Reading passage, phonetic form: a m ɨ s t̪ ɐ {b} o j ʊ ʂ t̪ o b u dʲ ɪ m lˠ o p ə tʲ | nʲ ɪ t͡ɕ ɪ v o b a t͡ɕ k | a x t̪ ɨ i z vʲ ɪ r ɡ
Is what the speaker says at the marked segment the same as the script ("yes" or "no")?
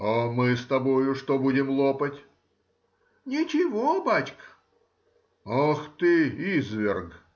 yes